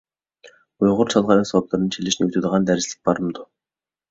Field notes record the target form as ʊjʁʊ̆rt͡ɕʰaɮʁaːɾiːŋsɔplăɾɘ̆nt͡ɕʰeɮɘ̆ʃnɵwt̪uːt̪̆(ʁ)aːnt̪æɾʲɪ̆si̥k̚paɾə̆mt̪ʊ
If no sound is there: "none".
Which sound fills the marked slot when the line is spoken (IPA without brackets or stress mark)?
ʁ